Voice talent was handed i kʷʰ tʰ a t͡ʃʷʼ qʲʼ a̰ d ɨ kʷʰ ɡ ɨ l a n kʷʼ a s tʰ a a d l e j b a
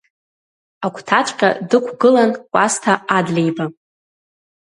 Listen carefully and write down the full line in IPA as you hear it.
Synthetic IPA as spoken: a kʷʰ tʰ a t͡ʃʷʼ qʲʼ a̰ d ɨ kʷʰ ɡ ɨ l a n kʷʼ a s tʰ a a d l e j b a